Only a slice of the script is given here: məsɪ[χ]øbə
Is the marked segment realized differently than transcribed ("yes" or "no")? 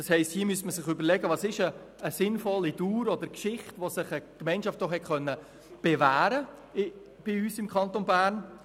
no